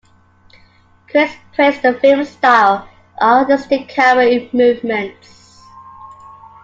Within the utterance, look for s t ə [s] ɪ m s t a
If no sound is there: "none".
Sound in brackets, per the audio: f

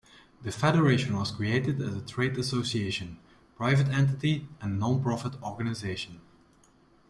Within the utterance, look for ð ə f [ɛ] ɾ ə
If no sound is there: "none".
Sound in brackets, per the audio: ɛ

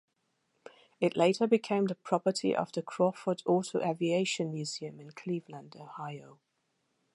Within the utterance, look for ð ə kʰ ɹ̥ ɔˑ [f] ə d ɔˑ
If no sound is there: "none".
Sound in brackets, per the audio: f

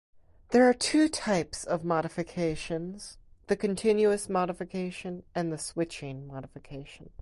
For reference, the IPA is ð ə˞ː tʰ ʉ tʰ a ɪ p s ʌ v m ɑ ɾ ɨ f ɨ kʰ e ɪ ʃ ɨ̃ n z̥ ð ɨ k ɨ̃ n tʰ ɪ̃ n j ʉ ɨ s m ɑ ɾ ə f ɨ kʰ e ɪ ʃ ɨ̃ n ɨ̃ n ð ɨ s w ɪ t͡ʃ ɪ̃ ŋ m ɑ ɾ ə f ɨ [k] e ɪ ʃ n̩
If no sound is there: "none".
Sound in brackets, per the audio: kʰ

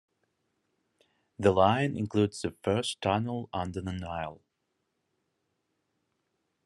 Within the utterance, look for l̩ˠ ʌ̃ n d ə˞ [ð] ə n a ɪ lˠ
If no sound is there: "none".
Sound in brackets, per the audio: ð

